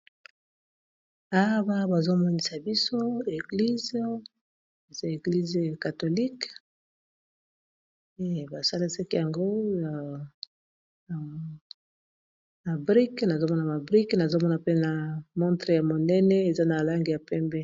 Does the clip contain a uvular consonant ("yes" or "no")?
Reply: yes